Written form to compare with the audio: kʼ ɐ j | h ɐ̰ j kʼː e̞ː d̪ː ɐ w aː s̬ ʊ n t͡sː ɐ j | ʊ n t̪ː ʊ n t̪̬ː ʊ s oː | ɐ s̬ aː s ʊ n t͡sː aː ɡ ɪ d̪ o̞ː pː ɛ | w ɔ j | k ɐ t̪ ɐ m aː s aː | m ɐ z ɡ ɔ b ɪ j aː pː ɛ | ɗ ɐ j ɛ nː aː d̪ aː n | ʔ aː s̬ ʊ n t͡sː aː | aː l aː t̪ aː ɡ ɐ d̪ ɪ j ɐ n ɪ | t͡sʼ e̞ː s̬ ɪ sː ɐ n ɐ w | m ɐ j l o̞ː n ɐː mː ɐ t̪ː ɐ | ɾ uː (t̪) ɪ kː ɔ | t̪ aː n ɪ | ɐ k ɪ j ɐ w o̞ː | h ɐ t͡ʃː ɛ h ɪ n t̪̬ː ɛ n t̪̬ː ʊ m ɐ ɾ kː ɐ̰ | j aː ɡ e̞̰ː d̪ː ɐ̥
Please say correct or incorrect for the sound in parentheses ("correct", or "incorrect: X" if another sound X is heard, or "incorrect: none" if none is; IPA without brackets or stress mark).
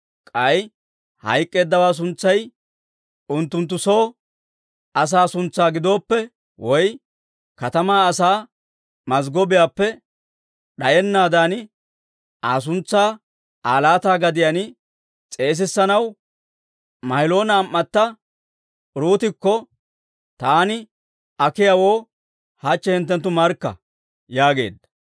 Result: correct